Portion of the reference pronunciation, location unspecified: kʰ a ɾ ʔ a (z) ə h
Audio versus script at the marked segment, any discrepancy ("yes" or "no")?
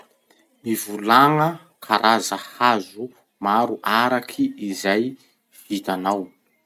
no